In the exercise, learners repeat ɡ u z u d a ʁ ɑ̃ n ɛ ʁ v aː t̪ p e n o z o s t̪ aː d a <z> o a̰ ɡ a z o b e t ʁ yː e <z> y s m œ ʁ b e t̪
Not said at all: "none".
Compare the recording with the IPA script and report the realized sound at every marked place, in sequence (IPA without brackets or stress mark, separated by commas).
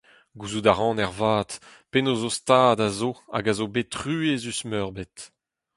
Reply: z, z